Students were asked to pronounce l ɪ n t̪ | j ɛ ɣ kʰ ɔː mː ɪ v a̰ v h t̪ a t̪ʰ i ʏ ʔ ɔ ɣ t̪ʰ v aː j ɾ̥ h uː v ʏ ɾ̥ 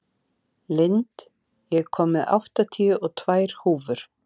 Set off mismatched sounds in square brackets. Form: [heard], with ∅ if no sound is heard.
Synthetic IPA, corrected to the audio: l ɪ n t̪ | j ɛ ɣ kʰ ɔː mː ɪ [ð] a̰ [w] h t̪ a t̪ʰ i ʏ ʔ ɔ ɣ t̪ʰ v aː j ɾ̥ h uː v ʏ ɾ̥